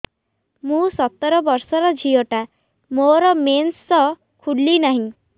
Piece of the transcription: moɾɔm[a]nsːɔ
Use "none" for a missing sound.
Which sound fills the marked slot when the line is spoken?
e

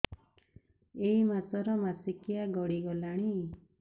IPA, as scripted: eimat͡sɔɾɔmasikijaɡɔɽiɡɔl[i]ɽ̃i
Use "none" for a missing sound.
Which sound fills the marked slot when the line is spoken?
a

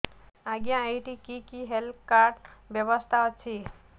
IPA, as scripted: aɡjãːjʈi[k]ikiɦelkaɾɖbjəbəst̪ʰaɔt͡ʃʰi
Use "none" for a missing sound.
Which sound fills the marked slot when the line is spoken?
k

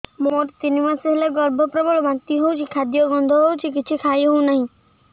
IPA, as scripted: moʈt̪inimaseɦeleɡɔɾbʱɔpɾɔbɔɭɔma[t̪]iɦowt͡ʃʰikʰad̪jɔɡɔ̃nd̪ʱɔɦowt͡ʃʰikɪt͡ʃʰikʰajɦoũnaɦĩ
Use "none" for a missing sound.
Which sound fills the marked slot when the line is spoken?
t̪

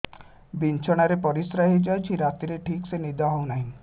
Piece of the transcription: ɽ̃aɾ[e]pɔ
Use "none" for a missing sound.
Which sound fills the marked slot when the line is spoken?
e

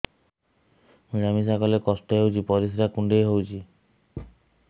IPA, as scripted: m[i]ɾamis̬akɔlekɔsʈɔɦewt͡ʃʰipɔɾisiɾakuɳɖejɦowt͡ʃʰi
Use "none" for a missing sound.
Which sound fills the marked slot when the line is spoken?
i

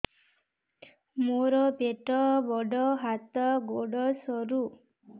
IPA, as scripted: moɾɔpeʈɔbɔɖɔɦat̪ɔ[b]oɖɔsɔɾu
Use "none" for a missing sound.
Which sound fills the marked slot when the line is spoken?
ɡ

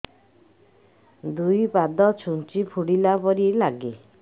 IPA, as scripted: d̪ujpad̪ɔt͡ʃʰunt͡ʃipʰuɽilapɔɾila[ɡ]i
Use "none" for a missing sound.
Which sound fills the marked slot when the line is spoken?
ɡ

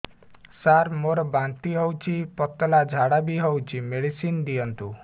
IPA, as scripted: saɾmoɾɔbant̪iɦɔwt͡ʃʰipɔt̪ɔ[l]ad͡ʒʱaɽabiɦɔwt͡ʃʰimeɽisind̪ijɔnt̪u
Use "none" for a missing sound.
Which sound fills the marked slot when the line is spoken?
l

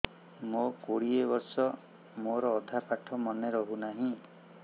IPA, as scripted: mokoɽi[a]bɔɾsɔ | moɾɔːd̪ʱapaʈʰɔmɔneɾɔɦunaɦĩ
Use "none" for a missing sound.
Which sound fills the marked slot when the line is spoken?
e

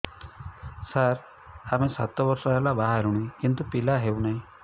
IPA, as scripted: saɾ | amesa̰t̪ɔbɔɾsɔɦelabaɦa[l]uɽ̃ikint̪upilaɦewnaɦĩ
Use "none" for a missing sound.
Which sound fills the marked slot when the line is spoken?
ɾ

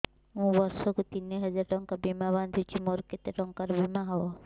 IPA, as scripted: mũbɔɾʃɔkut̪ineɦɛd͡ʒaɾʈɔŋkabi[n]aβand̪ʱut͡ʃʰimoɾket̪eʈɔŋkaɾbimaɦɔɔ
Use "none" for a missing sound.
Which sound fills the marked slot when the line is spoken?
m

